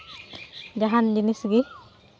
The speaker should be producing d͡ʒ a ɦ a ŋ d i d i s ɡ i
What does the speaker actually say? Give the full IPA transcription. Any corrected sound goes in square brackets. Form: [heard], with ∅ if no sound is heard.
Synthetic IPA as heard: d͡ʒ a ɦ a [n] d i [n] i s ɡ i